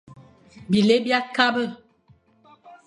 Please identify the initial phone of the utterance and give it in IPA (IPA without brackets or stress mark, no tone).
b